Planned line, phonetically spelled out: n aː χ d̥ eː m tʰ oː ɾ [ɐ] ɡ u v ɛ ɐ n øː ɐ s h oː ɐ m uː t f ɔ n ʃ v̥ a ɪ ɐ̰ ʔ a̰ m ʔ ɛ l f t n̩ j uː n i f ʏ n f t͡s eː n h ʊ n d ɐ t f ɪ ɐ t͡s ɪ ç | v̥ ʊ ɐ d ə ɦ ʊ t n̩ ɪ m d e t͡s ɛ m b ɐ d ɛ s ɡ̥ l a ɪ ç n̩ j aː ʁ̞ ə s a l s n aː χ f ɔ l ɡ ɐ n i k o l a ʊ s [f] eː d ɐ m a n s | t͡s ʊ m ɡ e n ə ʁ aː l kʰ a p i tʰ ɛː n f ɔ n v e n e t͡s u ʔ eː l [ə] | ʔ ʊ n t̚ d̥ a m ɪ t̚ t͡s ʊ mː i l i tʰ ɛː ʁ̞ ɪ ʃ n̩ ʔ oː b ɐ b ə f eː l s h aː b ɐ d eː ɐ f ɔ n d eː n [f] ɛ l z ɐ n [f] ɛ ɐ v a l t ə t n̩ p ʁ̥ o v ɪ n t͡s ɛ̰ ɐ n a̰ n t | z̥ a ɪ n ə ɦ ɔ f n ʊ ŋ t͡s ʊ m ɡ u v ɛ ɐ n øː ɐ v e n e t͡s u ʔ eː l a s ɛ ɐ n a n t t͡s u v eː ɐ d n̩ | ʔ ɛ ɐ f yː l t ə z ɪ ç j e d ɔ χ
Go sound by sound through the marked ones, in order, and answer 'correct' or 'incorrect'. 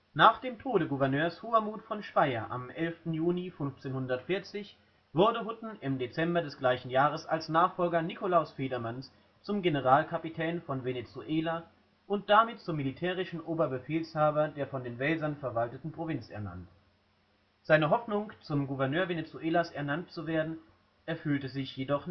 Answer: incorrect, correct, incorrect, incorrect, correct

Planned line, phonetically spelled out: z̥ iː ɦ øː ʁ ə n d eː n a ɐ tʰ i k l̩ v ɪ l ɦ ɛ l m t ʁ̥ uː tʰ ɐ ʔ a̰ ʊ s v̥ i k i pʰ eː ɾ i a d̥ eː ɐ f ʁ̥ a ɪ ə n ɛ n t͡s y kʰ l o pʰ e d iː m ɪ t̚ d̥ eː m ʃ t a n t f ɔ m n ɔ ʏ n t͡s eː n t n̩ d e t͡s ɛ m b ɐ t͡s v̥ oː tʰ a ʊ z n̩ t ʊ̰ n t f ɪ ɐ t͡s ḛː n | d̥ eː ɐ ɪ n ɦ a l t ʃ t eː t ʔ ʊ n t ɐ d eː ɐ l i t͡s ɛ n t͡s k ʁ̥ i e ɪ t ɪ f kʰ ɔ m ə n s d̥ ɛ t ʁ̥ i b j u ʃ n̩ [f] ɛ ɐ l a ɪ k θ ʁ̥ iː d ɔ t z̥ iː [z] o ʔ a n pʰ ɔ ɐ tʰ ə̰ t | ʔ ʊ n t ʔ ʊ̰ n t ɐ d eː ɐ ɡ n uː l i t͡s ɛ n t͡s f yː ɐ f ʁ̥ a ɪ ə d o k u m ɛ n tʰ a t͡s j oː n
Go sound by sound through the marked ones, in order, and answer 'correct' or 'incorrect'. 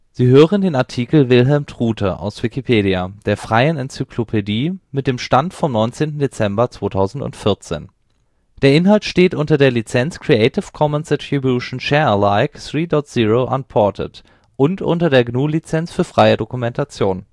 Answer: incorrect, incorrect

